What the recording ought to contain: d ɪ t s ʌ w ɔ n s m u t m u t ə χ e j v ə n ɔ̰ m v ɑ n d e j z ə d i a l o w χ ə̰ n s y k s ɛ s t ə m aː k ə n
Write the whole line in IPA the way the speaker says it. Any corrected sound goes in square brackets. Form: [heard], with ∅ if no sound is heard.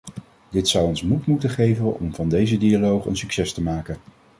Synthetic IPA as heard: d ɪ t s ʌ w ɔ n s m u t m u t ə χ e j v ə n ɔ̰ m v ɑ n d e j z ə d i a l o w χ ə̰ n s y k s ɛ s t ə m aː k ə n